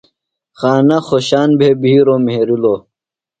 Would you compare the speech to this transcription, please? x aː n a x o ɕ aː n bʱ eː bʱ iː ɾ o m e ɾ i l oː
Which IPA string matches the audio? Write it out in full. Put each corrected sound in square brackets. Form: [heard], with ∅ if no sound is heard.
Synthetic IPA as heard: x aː n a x o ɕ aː n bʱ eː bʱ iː ɾ o m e ɾ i l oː